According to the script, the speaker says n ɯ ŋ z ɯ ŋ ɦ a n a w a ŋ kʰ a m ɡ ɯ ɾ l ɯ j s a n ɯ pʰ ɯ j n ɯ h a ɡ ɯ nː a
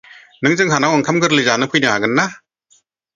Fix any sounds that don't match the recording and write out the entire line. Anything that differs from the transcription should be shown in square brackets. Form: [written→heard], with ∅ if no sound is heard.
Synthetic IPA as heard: n ɯ ŋ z ɯ ŋ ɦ a n a w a ŋ kʰ a m ɡ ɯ ɾ l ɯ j [s→z] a n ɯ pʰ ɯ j n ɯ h a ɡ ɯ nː a